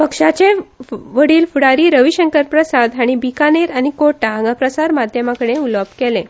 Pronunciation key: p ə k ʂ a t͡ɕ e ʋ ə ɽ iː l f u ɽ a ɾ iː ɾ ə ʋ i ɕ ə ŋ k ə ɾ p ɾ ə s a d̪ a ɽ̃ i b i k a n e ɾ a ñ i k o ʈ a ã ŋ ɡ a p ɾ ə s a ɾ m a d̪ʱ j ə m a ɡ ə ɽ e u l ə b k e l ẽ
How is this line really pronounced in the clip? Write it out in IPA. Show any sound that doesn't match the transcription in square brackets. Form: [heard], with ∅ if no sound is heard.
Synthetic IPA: p ə k ʂ a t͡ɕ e ʋ ə ɽ iː l f u ɽ a ɾ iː ɾ ə ʋ i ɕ ə ŋ k ə ɾ p ɾ ə s a d̪ a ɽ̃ i b i k a n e ɾ a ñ i k o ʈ a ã ŋ ɡ a p ɾ ə s a ɾ m a d̪ʱ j ə m a [k] ə ɽ e u l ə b k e l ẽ

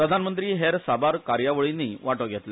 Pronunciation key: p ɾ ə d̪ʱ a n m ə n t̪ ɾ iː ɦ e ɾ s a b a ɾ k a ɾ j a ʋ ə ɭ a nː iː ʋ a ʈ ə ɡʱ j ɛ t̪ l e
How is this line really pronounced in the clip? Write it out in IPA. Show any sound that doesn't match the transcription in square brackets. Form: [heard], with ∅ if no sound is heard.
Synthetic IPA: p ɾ ə d̪ʱ a n m ə n t̪ ɾ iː ɦ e ɾ s a b a ɾ k a ɾ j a ʋ ə ɭ [i] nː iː ʋ a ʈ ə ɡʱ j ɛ t̪ l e

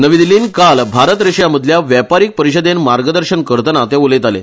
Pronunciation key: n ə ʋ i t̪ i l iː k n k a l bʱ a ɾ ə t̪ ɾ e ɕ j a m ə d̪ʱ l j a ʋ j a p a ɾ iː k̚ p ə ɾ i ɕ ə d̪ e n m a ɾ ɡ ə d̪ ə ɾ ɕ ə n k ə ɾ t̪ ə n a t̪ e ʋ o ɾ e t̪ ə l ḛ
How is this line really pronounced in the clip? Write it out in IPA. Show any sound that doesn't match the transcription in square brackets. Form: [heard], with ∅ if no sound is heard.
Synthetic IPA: n ə ʋ i [d̪] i l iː [∅] n k a l bʱ a ɾ ə t̪ ɾ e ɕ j a m ə d̪ʱ l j a ʋ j a p a ɾ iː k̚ p ə ɾ i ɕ ə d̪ e n m a ɾ ɡ ə d̪ ə ɾ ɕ ə n k ə ɾ t̪ ə n a t̪ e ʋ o [l] e t̪ [a] l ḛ

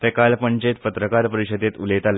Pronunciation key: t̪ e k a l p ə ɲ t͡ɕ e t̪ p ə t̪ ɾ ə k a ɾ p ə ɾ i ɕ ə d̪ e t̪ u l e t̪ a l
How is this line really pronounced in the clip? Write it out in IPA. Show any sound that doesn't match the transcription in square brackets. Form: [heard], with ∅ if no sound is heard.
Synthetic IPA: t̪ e k a l p ə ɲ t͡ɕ e t̪ p ə t̪ ɾ ə k a ɾ p ə ɾ i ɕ ə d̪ e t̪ u l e t̪ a l

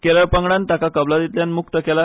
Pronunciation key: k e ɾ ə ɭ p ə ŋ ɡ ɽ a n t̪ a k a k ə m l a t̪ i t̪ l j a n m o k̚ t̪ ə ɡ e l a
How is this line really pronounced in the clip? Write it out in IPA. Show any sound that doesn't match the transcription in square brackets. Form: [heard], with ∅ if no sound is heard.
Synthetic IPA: k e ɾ ə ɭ p ə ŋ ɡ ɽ a n t̪ a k a k ə [b] l a [d̪] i t̪ l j a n m [u] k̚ t̪ ə [k] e l a

